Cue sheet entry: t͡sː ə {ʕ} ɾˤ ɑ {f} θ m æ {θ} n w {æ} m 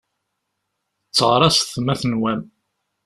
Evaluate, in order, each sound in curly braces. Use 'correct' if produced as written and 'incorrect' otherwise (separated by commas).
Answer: incorrect, incorrect, correct, correct